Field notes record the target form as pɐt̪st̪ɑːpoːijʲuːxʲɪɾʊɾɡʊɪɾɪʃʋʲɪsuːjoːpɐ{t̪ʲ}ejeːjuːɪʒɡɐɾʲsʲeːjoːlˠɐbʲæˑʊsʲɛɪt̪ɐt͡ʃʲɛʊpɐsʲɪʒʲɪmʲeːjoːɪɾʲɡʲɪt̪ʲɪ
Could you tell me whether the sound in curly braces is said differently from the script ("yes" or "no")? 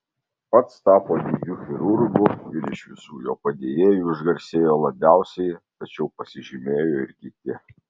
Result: yes